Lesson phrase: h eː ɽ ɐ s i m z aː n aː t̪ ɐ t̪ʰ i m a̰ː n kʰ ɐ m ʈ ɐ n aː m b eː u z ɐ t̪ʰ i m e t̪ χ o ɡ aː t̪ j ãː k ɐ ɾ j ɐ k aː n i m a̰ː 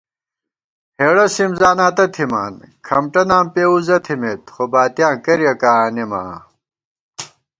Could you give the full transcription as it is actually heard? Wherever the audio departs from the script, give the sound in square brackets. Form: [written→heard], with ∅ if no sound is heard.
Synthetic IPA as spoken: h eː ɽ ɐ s i m z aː n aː t̪ ɐ t̪ʰ i m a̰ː n kʰ ɐ m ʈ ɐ n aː m [b→p] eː u z ɐ t̪ʰ i m e t̪ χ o [ɡ→b] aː t̪ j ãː k ɐ ɾ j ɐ k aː n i m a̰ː